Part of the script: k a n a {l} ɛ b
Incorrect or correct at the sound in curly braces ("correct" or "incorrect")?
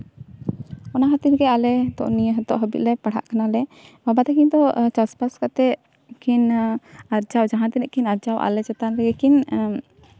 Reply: correct